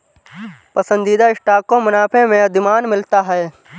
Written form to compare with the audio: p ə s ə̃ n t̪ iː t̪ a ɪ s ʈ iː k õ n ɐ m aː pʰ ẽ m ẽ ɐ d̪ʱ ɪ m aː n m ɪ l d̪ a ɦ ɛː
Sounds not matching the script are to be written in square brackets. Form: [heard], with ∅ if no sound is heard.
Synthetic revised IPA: p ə s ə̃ n [d̪] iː [d̪] a ɪ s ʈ [aː] k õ [m] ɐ [n] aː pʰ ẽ m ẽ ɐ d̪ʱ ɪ m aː n m ɪ l [t̪] a ɦ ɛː